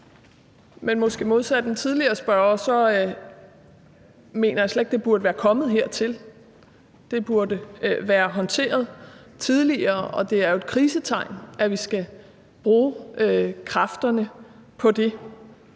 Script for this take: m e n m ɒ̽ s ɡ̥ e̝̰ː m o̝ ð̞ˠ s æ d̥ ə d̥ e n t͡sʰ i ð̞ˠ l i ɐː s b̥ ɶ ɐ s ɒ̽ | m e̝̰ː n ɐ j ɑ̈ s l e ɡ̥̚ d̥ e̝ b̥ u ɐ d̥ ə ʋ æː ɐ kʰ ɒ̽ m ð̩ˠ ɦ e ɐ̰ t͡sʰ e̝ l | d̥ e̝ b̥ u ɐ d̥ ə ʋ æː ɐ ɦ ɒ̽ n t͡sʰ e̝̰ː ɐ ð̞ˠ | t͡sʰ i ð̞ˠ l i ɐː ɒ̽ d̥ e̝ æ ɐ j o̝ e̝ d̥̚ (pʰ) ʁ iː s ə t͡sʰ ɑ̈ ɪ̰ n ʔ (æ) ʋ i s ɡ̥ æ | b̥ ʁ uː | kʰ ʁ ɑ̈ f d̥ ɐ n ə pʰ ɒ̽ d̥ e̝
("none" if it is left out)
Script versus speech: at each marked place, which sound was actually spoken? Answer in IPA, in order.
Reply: kʰ, æ

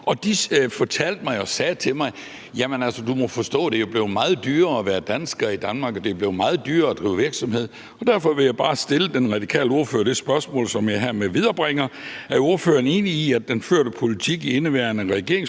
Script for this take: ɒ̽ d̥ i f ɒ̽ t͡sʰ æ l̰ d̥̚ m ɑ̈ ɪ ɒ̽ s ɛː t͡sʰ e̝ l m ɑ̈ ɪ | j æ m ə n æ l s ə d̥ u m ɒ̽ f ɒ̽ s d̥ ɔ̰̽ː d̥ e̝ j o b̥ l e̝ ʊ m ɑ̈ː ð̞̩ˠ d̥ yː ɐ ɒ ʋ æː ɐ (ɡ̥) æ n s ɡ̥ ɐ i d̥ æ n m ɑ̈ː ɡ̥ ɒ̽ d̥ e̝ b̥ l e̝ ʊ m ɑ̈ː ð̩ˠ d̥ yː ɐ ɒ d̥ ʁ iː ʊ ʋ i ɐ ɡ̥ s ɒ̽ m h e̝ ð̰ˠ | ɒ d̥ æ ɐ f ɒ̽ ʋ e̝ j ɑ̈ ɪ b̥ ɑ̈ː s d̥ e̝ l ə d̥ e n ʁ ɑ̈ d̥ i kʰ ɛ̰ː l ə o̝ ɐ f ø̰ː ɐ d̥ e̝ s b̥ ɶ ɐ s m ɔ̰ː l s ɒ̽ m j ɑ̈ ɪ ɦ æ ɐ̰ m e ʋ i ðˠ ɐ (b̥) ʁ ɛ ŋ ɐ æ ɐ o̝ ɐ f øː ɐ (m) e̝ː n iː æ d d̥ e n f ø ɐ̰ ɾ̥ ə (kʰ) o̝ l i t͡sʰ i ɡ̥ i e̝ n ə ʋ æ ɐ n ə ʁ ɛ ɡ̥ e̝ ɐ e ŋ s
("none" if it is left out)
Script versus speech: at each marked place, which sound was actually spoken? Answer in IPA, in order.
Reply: d̥, b̥, n, pʰ

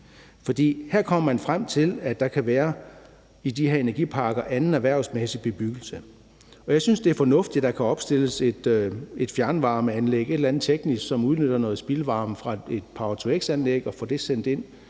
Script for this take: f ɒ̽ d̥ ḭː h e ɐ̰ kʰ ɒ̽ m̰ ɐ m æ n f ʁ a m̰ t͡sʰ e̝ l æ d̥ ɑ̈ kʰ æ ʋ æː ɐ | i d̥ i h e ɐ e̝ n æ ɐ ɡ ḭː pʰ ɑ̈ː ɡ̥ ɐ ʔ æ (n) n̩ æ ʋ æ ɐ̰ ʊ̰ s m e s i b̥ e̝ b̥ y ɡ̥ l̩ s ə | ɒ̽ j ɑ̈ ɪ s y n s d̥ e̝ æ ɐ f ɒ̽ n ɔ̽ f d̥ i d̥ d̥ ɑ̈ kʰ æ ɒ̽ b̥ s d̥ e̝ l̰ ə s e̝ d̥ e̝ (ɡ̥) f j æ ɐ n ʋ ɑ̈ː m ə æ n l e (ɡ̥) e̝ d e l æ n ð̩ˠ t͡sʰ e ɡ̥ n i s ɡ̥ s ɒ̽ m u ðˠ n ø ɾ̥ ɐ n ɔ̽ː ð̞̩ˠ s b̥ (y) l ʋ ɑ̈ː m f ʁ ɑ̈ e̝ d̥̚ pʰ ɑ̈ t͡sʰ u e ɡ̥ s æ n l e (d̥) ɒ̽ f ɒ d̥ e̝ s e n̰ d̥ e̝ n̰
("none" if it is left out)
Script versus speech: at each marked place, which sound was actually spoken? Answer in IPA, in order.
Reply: n, d̥, ɡ̥, i, ɡ̥

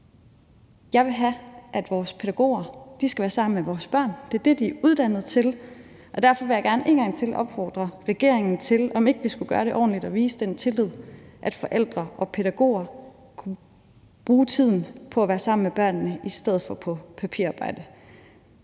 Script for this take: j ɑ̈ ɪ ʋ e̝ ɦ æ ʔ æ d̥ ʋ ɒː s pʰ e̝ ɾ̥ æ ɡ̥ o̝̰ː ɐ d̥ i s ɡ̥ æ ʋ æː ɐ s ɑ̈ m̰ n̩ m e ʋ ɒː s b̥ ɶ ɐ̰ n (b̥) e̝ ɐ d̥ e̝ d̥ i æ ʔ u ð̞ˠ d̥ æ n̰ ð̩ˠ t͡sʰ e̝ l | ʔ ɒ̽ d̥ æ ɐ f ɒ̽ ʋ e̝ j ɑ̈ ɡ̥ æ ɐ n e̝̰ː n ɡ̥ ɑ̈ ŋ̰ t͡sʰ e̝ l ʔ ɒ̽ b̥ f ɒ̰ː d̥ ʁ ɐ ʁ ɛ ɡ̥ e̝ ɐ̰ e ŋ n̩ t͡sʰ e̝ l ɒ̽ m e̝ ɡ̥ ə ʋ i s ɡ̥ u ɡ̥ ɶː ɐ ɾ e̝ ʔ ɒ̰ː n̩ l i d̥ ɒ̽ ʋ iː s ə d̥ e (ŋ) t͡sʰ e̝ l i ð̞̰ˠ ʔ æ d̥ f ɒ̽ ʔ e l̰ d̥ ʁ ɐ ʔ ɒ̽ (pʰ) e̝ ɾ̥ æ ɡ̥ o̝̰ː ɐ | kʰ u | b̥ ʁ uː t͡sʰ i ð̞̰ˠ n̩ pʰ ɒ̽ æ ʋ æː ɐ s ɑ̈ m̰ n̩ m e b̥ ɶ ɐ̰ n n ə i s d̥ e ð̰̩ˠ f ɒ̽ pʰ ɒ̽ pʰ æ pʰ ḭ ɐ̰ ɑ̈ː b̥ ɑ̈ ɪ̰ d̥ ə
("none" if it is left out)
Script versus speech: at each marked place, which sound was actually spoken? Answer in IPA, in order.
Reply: d̥, n, pʰ

